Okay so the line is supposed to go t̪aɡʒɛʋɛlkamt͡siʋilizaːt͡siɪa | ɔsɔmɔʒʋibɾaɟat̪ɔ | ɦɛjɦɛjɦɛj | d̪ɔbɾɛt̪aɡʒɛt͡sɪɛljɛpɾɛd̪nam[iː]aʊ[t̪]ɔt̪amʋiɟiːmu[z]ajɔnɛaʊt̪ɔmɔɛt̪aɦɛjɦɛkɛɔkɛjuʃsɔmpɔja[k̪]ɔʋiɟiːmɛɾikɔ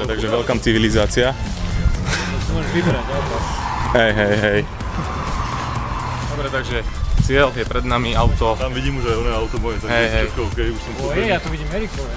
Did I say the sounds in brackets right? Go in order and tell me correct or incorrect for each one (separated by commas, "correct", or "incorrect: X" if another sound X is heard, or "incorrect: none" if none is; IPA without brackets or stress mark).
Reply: incorrect: i, correct, incorrect: ʒ, incorrect: t̪